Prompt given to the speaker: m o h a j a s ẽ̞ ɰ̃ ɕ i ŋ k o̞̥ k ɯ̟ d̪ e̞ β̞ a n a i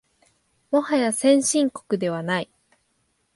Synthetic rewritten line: m o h a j a s ẽ̞ ɰ̃ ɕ ĩ ŋ k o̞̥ k ɯ̟ d̪ e̞ β̞ a n a i